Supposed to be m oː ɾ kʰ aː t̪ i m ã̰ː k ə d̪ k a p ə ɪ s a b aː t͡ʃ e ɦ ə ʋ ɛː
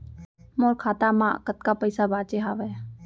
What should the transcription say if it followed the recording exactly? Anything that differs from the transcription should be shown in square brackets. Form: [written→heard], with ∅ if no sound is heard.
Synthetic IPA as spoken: m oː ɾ kʰ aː t̪ [i→a] m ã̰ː k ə [d̪→t̪] k a p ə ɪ s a b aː t͡ʃ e ɦ [ə→a] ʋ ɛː